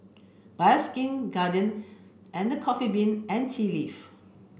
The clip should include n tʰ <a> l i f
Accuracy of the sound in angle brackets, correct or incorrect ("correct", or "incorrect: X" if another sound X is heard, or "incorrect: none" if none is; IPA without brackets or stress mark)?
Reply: incorrect: i